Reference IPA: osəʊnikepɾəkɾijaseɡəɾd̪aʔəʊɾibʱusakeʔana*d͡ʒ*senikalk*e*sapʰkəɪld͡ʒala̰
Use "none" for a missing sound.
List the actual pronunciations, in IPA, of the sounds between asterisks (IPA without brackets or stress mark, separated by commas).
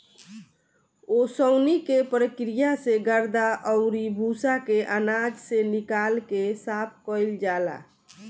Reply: d͡ʒ, e